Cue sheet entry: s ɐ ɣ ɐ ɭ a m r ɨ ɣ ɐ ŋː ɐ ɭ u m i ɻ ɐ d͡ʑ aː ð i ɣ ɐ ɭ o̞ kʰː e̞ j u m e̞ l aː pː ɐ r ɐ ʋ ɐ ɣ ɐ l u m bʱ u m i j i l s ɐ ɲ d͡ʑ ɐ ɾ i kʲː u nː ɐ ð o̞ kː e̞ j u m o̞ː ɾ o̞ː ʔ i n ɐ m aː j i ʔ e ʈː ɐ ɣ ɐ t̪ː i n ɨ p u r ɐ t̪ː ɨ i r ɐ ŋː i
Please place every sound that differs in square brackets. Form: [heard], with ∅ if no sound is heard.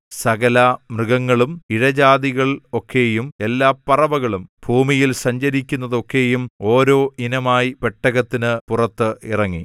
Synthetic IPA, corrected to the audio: s ɐ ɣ ɐ [l] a m r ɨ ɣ ɐ ŋː ɐ ɭ u m i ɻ ɐ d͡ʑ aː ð i ɣ ɐ ɭ o̞ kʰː e̞ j u m e̞ [lː] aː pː ɐ r ɐ ʋ ɐ ɣ ɐ [ɭ] u m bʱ [uː] m i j i l s ɐ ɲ d͡ʑ ɐ ɾ i kʲː u nː ɐ ð o̞ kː e̞ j u m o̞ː ɾ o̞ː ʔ i n ɐ m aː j i [p] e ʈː ɐ ɣ ɐ t̪ː i n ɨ p u r ɐ t̪ː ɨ i r ɐ ŋː i

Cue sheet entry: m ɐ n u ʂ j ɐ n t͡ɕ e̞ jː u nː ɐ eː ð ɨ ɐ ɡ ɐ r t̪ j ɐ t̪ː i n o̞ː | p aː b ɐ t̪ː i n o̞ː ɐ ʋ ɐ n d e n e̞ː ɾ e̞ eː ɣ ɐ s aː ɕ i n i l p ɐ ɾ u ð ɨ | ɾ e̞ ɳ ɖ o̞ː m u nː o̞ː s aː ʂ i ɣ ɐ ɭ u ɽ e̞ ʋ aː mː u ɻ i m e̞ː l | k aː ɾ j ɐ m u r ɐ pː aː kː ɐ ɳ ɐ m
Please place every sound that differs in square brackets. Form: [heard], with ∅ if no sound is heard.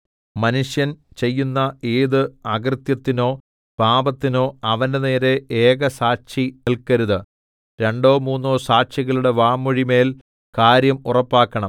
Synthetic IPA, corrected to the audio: m ɐ n u ʂ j ɐ n t͡ɕ e̞ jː u nː ɐ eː ð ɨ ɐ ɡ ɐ r t̪ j ɐ t̪ː i n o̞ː | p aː b ɐ t̪ː i n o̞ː ɐ ʋ ɐ n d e n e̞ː ɾ e̞ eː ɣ ɐ s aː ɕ i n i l [k] ɐ ɾ u ð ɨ | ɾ e̞ ɳ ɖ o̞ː m [uː] nː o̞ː s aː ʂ i ɣ ɐ ɭ u ɽ e̞ ʋ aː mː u ɻ i m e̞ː l | k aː ɾ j ɐ m u r ɐ pː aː kː ɐ ɳ ɐ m

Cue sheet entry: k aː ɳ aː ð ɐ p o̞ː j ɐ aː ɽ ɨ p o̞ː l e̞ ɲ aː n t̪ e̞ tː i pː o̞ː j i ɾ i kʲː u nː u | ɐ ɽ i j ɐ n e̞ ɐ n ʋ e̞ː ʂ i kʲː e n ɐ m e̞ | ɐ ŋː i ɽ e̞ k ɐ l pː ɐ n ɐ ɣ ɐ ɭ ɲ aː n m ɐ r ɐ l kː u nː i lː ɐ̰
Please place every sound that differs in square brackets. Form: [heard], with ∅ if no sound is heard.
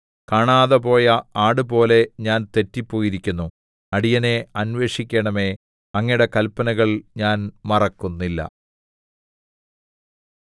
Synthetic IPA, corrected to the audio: k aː ɳ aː ð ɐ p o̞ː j ɐ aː ɽ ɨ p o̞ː l e̞ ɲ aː n t̪ e̞ tː i pː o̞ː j i ɾ i kʲː u nː u | ɐ ɽ i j ɐ n e̞ ɐ n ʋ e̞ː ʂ i kʲː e [ɳ] ɐ m e̞ | ɐ ŋː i ɽ e̞ k ɐ l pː ɐ n ɐ ɣ ɐ ɭ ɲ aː n m ɐ r ɐ [∅] kː u nː i lː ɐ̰

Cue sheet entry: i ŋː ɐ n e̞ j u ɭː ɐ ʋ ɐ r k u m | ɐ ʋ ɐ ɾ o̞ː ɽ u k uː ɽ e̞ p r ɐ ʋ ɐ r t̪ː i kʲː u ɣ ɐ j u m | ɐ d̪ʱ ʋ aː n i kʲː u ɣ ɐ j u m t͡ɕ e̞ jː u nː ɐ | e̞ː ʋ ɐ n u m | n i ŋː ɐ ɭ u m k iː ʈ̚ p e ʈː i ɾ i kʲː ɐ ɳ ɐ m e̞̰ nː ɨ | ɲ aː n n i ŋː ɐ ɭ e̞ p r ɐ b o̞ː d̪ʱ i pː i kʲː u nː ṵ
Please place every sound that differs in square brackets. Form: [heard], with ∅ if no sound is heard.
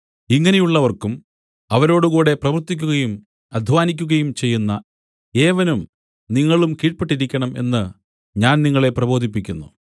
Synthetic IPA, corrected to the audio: i ŋː ɐ n e̞ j u ɭː ɐ ʋ ɐ r k u m | ɐ ʋ ɐ ɾ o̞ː ɽ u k uː ɽ e̞ p r ɐ ʋ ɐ r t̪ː i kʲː u ɣ ɐ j u m | ɐ d̪ʱ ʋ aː n i kʲː u ɣ ɐ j u m t͡ɕ e̞ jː u nː ɐ | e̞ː ʋ ɐ n u m | n i ŋː ɐ ɭ u m k iː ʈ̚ p e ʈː i ɾ i kʲː ɐ ɳ ɐ m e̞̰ nː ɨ | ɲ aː n n i ŋː ɐ ɭ e̞ p r ɐ b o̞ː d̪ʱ i pː i kʲː u nː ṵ

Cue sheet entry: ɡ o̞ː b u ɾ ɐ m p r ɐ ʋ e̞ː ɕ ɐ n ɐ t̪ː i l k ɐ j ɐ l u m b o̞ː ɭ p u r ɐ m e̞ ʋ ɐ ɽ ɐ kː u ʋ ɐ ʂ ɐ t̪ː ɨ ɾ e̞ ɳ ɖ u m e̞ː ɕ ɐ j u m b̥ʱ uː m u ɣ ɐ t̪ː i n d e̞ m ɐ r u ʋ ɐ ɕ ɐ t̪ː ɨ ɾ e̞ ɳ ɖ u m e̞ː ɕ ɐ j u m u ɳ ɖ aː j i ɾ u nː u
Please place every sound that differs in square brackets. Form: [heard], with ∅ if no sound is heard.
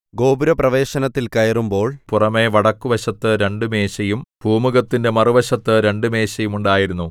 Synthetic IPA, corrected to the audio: ɡ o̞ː b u ɾ ɐ [∅] p r ɐ ʋ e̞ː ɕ ɐ n ɐ t̪ː i l k ɐ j ɐ [r] u m b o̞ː ɭ p u r ɐ m e̞ ʋ ɐ ɽ ɐ kː u ʋ ɐ [ɕ] ɐ t̪ː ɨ ɾ e̞ ɳ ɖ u m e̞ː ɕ ɐ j u m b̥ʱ uː m u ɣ ɐ t̪ː i n d e̞ m ɐ r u ʋ ɐ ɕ ɐ t̪ː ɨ ɾ e̞ ɳ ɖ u m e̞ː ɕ ɐ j u m u ɳ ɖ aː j i ɾ u nː u

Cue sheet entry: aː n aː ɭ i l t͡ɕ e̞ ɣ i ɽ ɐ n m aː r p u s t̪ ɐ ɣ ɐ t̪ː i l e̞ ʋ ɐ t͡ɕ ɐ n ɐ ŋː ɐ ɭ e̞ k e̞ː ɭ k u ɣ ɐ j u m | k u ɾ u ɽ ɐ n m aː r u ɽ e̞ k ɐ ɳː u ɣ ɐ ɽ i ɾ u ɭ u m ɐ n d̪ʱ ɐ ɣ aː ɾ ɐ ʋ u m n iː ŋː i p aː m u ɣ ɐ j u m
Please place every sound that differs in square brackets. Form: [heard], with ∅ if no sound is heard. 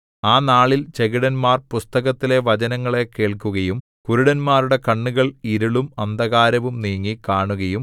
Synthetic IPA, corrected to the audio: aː n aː ɭ i l t͡ɕ e̞ ɣ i ɽ ɐ n m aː r p u s t̪ ɐ ɣ ɐ t̪ː i l e̞ ʋ ɐ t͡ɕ ɐ n ɐ ŋː ɐ ɭ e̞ k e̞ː ɭ k u ɣ ɐ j u m | k u ɾ u ɽ ɐ n m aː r u ɽ e̞ k ɐ ɳː u ɣ ɐ [ɭ] i ɾ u ɭ u m ɐ n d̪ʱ ɐ ɣ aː ɾ ɐ ʋ u m n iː ŋː i [k] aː [ɳ] u ɣ ɐ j u m

